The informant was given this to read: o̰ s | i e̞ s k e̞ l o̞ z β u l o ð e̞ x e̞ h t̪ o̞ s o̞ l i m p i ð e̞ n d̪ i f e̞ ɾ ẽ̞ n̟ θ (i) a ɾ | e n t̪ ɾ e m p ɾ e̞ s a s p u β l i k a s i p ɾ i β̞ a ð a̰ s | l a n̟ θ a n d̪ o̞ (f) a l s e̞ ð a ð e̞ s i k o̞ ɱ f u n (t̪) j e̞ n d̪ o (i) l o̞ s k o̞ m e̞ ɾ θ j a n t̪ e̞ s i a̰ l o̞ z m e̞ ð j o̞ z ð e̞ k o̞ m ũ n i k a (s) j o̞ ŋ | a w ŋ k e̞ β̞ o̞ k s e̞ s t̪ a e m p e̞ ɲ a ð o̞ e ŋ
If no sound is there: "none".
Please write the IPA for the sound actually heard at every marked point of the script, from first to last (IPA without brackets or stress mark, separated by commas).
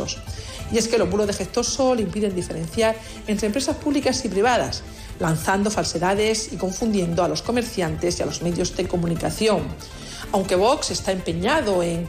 j, f, d̪, a, θ